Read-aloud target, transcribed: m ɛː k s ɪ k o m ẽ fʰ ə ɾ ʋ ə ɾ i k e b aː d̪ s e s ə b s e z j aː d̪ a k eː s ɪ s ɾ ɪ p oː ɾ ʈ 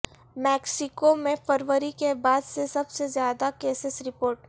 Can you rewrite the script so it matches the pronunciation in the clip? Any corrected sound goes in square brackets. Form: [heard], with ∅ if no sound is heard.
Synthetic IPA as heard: m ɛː k s ɪ k o m ẽ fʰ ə ɾ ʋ ə ɾ i k e b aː d̪ s e s [ɐ] b s e z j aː d̪ a k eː s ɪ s ɾ ɪ p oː ɾ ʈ

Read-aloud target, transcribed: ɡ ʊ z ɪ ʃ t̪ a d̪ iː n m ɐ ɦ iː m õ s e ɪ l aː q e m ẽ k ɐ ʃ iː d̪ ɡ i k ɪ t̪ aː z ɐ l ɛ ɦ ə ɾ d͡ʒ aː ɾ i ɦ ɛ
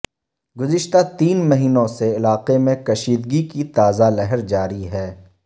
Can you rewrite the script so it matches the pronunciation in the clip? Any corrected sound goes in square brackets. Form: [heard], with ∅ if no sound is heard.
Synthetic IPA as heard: ɡ ʊ z ɪ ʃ t̪ a [t̪] iː n m ɐ ɦ iː [n] õ s e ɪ l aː q e m ẽ k ɐ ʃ iː d̪ ɡ i k [i] t̪ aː z [a] l ɛ ɦ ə ɾ d͡ʒ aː ɾ i ɦ [ɛː]

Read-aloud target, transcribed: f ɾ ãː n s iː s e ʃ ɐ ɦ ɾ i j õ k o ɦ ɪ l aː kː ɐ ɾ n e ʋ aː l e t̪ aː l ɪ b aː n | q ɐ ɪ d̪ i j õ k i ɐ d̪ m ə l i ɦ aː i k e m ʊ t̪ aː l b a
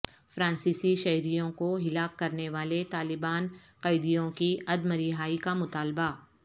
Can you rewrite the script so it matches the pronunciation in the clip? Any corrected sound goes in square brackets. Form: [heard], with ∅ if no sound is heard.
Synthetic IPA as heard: f ɾ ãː n s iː s [i] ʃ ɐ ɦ ɾ i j õ k o ɦ ɪ l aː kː ɐ ɾ n e ʋ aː l e t̪ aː l ɪ b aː n | q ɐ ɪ d̪ i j õ k i ɐ d̪ m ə [ɾ] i ɦ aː i k [a] m ʊ t̪ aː l b a

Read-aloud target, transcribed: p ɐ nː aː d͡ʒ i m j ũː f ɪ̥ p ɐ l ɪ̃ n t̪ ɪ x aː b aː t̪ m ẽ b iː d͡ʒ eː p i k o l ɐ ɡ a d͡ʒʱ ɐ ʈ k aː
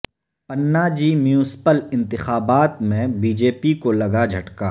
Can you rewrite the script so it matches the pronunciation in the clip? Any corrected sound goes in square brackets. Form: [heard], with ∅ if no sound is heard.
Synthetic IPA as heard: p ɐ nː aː d͡ʒ i m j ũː [s] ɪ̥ p [ə] l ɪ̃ n t̪ ɪ x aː b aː t̪ m ẽ b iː d͡ʒ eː p i k o l ɐ ɡ a d͡ʒʱ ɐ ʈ k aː

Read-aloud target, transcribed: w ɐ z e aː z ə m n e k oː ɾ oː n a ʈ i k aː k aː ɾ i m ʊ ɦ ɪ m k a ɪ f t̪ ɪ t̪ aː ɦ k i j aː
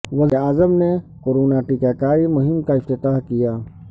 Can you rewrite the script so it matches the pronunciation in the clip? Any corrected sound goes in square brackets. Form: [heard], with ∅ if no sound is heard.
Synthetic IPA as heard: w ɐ z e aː z ə m n e k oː ɾ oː n a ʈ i k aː k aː ɾ i m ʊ ɦ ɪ m k a ɪ f t̪ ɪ t̪ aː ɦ k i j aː

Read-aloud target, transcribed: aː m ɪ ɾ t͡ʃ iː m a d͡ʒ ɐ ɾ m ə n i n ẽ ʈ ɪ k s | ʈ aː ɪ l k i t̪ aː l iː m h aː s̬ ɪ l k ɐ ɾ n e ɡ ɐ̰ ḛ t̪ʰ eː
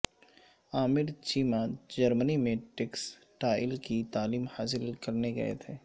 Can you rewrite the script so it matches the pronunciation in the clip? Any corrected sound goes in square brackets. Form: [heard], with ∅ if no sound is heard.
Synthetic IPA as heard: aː m ɪ ɾ t͡ʃ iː m a d͡ʒ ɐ ɾ m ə n i [m] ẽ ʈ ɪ k s | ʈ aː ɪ l k i t̪ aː l iː m h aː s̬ ɪ l k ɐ ɾ n e ɡ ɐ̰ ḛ t̪ʰ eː

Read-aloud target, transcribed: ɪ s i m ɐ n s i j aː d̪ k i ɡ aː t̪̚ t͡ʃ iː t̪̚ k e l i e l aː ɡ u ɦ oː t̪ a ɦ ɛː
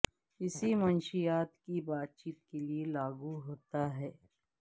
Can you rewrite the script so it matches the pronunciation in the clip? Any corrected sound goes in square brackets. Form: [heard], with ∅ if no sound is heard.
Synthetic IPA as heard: ɪ s i m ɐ n [ʃ] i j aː [t̪] k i [b] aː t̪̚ t͡ʃ iː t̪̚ k e l i e l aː ɡ u ɦ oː t̪ a ɦ ɛː

